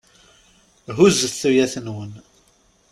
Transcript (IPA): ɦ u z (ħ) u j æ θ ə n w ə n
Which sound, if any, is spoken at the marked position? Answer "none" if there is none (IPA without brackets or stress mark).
θ